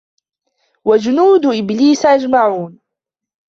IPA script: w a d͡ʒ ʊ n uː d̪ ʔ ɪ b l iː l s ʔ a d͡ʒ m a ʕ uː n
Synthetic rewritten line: w a d͡ʒ ʊ n uː d̪ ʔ ɪ b l iː s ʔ a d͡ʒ m a ʕ uː n